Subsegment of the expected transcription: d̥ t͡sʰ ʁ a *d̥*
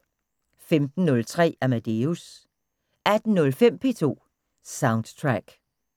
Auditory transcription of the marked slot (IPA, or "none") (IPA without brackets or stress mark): ɡ̥